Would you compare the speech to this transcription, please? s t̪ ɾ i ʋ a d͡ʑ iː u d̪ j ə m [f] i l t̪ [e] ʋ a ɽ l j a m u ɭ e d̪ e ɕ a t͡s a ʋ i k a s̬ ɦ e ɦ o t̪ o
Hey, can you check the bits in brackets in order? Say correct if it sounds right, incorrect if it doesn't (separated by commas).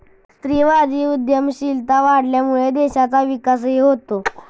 incorrect, incorrect